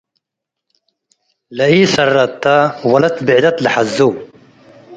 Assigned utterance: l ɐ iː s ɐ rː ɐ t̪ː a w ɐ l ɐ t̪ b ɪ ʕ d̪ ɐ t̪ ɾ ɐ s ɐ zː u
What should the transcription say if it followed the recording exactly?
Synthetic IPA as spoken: l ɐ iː s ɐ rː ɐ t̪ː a w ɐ l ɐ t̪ b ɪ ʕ d̪ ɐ t̪ l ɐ ħ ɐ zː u